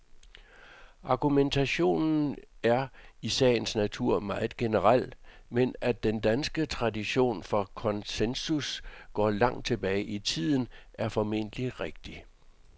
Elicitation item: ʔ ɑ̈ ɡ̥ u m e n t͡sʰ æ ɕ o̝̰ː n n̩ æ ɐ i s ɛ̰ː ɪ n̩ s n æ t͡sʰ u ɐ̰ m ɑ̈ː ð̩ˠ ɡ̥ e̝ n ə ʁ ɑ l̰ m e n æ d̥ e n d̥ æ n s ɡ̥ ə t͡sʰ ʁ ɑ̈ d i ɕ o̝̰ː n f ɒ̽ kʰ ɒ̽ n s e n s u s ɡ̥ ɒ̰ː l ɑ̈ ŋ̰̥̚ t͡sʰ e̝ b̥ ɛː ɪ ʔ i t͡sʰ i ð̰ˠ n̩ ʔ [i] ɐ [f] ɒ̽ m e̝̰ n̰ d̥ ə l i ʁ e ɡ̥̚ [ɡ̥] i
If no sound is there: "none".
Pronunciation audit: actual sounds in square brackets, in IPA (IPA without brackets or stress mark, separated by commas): æ, f, d̥